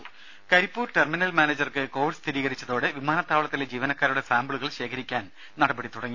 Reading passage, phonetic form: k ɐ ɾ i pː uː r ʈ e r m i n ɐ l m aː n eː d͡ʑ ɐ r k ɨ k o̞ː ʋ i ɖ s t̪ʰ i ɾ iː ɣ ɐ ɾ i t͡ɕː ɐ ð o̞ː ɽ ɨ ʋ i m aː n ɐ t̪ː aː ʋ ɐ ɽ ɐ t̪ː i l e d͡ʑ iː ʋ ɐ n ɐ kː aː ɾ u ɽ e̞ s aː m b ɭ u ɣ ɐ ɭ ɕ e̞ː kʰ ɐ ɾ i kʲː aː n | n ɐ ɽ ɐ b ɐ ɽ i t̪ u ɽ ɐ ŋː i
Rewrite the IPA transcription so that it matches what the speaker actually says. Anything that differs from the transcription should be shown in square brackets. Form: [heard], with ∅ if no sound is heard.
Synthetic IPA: k ɐ ɾ i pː uː r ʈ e r m i n ɐ l m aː n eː d͡ʑ ɐ r k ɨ k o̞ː ʋ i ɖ s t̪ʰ i ɾ iː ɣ ɐ ɾ i t͡ɕː ɐ ð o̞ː ɽ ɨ ʋ i m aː n ɐ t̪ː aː ʋ ɐ [ɭ] ɐ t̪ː i l e d͡ʑ iː ʋ ɐ n ɐ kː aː ɾ u ɽ e̞ s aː m b ɭ u ɣ ɐ ɭ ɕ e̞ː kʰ ɐ ɾ i kʲː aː n | n ɐ ɽ ɐ b ɐ ɽ i t̪ u ɽ ɐ ŋː i